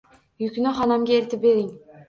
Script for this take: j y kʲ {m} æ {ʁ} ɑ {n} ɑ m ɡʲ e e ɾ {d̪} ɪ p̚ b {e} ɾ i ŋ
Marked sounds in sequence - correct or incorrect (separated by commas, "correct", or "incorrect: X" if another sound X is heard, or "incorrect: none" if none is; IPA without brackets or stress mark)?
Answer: incorrect: n, incorrect: χ, correct, incorrect: t̪, correct